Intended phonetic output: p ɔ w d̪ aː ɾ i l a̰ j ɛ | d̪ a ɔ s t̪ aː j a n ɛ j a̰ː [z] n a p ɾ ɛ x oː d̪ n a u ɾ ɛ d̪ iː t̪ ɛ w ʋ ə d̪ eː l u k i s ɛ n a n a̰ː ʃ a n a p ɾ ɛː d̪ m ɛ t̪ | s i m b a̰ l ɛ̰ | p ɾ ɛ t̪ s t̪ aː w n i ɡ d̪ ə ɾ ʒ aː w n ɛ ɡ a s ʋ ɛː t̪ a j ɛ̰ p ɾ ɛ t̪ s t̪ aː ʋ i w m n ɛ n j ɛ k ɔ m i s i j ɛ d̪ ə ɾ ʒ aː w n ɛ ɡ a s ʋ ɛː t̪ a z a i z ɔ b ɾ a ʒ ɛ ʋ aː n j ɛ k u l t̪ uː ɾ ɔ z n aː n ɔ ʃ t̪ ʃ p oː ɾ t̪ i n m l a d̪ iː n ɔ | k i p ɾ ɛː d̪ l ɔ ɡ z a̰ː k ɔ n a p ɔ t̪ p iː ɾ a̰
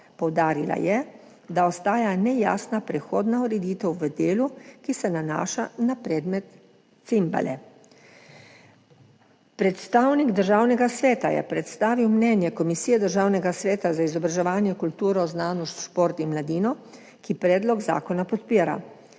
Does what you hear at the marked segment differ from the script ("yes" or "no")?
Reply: yes